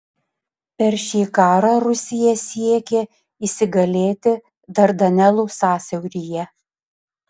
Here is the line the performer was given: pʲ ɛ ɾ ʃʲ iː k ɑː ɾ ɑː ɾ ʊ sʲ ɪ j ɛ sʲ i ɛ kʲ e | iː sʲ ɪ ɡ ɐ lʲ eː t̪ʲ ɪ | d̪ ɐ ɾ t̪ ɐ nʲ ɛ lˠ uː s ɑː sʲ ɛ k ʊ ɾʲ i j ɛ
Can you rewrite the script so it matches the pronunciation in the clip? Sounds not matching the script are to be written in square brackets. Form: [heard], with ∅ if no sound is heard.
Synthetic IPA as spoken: pʲ ɛ ɾ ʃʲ iː k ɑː ɾ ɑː ɾ ʊ sʲ ɪ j ɛ sʲ i ɛ kʲ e | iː sʲ ɪ ɡ ɐ lʲ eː t̪ʲ ɪ | d̪ ɐ ɾ [d̪] ɐ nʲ ɛ lˠ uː s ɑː sʲ ɛ [∅] ʊ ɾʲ i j ɛ